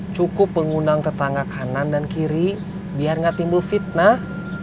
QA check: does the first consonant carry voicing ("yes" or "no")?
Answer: no